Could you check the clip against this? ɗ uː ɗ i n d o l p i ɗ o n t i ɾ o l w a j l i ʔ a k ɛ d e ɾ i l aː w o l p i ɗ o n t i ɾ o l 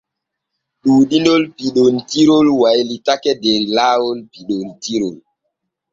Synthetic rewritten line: ɗ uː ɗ i n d o l p i ɗ o n t i ɾ o l w a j l i t a k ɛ d e ɾ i l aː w o l p i ɗ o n t i ɾ o l